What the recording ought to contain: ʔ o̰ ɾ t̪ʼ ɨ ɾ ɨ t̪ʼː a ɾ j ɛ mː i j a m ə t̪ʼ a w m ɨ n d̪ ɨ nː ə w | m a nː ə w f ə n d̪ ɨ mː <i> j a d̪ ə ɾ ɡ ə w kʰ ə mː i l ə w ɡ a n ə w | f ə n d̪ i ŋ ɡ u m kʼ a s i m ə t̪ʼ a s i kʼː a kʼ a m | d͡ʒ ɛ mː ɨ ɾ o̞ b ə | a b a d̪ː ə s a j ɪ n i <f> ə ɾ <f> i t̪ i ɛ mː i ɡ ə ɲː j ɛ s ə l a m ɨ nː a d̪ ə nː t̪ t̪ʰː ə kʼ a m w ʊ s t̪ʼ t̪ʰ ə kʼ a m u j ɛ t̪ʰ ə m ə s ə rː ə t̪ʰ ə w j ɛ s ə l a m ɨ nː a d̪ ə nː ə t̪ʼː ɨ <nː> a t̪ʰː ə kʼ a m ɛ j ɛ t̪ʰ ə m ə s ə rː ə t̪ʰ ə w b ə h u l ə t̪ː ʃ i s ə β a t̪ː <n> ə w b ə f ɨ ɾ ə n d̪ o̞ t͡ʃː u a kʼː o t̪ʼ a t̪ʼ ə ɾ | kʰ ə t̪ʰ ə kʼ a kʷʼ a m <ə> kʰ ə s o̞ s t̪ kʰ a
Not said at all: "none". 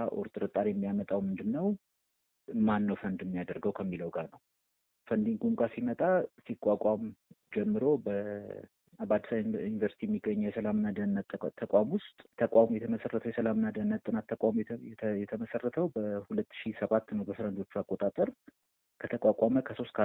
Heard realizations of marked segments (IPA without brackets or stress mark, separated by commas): i, v, s, n, n, ə